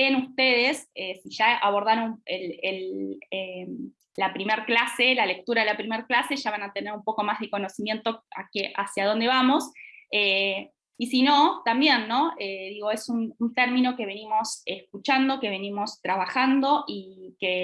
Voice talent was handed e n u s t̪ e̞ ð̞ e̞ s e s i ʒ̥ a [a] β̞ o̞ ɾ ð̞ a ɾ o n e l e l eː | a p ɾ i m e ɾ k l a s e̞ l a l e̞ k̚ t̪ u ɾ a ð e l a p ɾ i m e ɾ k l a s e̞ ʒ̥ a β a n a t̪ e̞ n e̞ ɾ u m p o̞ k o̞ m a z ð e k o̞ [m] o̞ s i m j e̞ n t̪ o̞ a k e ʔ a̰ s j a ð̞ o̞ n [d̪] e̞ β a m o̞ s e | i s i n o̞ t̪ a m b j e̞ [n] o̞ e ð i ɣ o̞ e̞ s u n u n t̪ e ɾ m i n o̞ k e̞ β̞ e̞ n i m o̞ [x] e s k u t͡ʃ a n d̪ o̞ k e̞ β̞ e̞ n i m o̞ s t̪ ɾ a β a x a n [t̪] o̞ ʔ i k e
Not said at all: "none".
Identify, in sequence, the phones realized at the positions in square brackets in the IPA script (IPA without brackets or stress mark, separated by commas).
a, n, d̪, nː, s, d̪